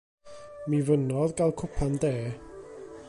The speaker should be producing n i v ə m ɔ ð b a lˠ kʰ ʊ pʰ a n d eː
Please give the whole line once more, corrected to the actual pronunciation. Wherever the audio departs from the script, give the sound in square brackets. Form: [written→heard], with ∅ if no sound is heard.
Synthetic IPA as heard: [n→m] i v ə [m→n] ɔ ð [b→ɡ] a lˠ kʰ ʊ pʰ a n d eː